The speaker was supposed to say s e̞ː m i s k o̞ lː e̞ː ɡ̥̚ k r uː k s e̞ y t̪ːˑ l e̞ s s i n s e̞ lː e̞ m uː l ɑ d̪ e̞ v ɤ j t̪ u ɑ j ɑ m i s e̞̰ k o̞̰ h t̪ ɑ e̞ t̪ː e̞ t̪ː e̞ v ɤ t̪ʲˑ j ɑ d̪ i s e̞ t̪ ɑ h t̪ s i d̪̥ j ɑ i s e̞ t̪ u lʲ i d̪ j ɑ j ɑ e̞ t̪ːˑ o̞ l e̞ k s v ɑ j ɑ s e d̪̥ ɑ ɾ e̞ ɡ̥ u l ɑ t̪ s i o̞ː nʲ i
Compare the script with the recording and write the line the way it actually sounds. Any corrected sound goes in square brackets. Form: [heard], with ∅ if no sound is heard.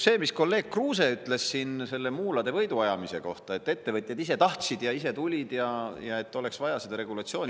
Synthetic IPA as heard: s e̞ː m i s k o̞ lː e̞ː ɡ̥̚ k r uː [∅] s e̞ y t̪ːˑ l e̞ s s i n s e̞ lː e̞ m uː l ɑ d̪ e̞ v ɤ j [d̪] u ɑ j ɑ m i s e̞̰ k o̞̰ h t̪ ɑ e̞ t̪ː e̞ t̪ː e̞ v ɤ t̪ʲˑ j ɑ d̪ i s e̞ t̪ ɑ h t̪ s i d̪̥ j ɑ i s e̞ t̪ u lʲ i d̪ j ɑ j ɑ e̞ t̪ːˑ o̞ l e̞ k s v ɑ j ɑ s e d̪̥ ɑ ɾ e̞ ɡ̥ u l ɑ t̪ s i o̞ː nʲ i